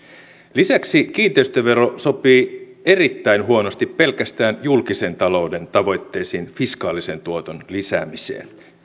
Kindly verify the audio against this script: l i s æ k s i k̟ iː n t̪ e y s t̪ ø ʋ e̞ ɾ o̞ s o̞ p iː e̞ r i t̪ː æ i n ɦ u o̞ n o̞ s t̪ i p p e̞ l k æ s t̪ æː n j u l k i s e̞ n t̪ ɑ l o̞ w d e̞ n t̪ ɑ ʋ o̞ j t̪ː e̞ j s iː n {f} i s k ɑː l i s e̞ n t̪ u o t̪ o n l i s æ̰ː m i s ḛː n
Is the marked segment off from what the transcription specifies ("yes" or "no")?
no